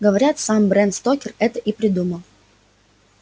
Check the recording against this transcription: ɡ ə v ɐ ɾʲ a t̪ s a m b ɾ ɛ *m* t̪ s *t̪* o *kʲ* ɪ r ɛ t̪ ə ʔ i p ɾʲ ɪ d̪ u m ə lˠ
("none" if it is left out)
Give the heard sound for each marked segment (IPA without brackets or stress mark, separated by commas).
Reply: n, t̪, kʲ